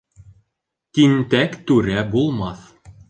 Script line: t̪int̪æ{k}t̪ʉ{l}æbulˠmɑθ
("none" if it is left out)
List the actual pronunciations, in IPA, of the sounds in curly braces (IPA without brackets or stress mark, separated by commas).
k, ɾ